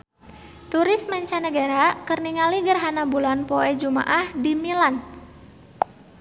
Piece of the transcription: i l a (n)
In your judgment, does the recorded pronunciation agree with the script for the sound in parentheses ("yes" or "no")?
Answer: yes